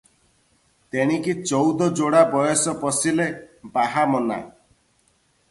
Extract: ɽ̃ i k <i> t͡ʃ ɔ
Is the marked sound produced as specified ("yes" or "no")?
yes